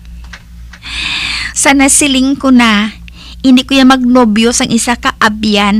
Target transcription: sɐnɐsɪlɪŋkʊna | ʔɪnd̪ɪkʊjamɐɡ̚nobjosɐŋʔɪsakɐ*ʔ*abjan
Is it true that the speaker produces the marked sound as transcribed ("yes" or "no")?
yes